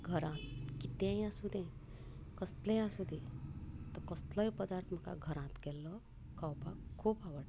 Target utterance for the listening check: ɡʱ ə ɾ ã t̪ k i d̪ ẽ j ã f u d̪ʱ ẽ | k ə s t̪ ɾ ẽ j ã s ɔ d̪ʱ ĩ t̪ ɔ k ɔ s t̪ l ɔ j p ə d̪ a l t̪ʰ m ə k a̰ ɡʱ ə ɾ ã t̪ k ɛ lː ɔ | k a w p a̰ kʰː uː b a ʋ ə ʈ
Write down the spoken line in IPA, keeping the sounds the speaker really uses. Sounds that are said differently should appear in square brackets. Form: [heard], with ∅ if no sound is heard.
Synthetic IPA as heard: ɡʱ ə ɾ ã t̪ k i [t̪] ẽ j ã [s] u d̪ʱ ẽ | k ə s t̪ [l] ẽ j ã s [u] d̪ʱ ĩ t̪ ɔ k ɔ s t̪ l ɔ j p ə d̪ a [ɾ] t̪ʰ m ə k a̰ ɡʱ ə ɾ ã t̪ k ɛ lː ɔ | k a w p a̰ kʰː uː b a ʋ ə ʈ